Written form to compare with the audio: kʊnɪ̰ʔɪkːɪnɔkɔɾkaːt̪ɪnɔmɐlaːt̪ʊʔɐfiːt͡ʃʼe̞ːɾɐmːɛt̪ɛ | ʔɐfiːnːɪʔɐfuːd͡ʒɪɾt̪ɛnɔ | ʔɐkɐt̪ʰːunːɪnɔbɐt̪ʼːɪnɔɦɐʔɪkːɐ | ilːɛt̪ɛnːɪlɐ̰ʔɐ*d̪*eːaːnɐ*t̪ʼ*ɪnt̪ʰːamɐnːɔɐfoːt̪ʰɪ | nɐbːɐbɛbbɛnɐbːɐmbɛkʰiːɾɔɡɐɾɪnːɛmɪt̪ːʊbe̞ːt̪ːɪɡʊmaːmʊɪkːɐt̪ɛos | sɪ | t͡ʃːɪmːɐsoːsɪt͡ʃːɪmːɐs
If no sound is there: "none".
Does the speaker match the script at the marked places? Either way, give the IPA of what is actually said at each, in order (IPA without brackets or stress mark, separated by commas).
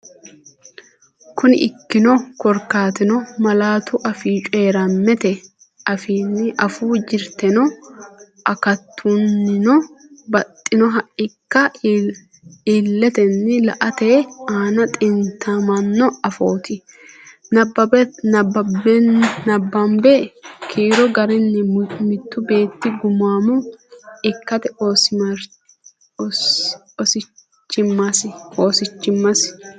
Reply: t̪, t̪ʼ